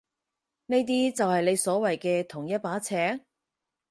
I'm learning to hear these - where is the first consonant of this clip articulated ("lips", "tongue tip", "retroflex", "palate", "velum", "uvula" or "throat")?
tongue tip